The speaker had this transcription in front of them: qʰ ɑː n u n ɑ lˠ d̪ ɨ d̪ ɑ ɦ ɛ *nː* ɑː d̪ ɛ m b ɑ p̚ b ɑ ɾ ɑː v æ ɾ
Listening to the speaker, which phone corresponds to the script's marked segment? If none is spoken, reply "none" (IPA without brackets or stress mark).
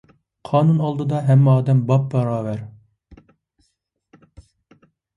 mː